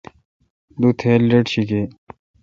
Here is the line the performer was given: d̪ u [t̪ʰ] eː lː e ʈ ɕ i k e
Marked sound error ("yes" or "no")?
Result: no